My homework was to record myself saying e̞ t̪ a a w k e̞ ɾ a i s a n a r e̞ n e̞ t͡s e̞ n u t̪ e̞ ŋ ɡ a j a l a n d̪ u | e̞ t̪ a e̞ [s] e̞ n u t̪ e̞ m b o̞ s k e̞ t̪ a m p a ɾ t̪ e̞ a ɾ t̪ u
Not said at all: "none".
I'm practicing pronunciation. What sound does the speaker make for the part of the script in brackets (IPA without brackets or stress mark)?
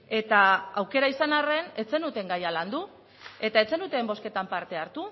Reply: t͡s